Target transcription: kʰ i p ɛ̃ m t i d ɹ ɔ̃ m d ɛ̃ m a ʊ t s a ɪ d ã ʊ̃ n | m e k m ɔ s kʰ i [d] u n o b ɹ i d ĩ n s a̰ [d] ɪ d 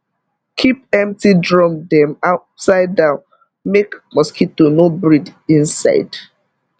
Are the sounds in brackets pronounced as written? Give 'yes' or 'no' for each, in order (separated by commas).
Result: no, no